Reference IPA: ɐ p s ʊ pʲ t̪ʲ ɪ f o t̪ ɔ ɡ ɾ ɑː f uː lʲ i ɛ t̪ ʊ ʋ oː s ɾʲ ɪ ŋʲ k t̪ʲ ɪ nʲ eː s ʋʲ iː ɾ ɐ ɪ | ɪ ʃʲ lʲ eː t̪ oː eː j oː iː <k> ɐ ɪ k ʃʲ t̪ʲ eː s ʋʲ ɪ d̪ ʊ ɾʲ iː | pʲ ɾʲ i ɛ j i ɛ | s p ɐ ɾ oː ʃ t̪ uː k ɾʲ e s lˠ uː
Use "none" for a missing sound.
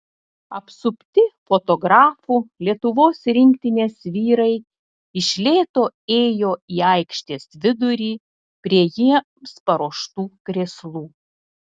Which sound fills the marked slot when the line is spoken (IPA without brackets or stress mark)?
none